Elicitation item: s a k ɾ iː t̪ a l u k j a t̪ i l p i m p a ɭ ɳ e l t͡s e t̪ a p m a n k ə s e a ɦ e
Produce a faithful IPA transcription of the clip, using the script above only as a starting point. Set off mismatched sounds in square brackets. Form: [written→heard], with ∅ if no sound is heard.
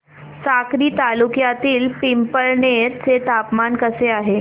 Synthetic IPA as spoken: s a k ɾ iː t̪ a l u k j a t̪ [i→iː] l p i m p [a→ə] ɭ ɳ e [l→ɾ] t͡s e t̪ a p m a n k ə s e a ɦ e